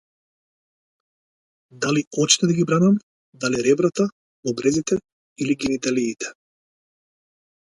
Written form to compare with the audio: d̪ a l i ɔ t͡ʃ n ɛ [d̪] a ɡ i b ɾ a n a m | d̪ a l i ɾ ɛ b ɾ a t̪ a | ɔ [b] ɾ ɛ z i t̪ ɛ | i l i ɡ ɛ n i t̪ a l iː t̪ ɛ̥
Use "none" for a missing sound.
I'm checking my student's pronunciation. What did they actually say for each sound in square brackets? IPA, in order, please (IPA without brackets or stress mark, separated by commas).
d̪, b